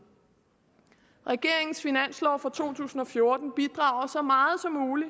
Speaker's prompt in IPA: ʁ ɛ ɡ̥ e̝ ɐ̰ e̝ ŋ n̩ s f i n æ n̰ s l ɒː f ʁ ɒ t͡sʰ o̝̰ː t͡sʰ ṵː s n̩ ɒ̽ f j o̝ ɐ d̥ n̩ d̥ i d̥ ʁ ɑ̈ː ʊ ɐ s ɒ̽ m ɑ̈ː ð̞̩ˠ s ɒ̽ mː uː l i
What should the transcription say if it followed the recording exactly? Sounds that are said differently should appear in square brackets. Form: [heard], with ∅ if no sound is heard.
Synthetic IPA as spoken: ʁ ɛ ɡ̥ e̝ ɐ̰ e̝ ŋ n̩ s f i n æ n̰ s l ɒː f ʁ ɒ t͡sʰ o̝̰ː t͡sʰ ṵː s n̩ ɒ̽ f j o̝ ɐ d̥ n̩ [b̥] i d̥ ʁ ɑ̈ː ʊ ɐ s ɒ̽ m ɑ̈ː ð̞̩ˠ s ɒ̽ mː uː l i